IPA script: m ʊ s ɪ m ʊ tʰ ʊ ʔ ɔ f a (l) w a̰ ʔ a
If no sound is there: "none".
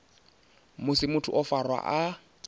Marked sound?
r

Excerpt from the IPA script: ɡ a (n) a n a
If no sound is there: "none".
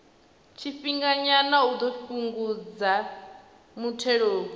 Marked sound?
ɲ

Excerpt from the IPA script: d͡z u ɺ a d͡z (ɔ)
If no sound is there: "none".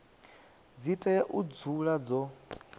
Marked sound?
ɔ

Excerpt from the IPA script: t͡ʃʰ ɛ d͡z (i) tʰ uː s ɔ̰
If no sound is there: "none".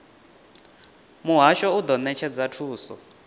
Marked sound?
a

